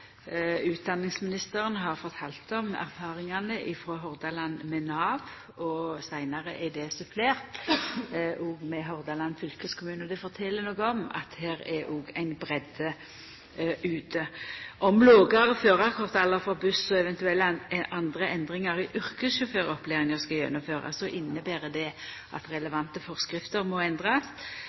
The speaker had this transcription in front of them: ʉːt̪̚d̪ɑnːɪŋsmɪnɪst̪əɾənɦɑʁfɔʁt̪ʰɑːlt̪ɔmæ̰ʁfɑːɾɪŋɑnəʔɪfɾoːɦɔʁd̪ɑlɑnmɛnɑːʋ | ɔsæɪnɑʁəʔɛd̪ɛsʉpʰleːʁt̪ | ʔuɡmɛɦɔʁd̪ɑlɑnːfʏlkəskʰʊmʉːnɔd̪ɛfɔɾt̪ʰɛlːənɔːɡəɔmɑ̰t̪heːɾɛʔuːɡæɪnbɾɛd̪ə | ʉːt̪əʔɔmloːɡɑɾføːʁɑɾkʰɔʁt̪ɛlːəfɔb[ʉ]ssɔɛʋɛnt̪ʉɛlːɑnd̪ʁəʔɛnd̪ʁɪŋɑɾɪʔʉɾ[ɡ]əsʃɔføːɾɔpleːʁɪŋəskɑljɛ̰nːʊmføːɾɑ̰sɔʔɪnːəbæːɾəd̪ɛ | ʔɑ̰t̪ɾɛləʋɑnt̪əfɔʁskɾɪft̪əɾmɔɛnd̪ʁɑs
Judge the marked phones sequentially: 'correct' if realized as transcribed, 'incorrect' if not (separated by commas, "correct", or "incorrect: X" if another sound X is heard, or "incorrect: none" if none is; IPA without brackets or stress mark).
correct, incorrect: k